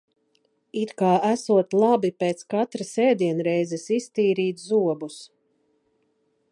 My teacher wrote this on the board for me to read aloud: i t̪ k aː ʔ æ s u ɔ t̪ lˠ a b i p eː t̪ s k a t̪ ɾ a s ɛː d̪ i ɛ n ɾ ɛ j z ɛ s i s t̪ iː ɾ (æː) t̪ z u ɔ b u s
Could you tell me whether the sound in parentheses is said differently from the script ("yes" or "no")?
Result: yes